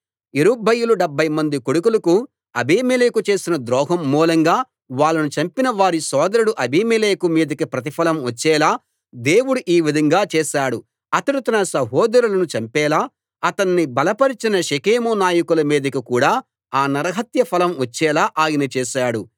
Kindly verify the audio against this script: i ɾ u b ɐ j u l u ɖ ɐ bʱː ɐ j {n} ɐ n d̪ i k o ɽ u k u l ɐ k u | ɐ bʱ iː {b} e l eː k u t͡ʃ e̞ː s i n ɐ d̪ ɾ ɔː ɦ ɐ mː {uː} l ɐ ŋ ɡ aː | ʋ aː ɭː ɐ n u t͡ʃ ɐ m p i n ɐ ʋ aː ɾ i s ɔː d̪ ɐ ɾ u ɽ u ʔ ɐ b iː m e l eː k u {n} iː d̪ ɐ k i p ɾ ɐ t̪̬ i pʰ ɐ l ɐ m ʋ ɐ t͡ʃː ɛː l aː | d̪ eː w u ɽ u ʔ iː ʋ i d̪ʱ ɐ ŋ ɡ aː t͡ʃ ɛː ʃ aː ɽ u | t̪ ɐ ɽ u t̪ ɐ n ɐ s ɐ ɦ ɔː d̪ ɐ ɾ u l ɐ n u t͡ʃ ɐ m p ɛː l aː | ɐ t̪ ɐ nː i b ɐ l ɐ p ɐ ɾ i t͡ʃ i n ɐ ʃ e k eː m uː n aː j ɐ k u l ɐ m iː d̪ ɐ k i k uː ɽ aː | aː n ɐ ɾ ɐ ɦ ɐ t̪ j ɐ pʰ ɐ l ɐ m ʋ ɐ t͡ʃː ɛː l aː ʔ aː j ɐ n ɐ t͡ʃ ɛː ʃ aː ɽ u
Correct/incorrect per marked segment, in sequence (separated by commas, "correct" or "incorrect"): incorrect, incorrect, correct, incorrect